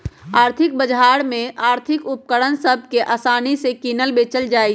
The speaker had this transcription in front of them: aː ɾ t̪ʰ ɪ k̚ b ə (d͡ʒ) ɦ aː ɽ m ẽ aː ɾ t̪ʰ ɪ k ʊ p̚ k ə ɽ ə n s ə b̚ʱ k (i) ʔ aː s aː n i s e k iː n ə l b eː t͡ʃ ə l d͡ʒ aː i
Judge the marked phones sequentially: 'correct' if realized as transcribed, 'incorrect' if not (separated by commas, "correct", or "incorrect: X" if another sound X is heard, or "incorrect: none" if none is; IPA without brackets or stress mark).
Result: correct, incorrect: e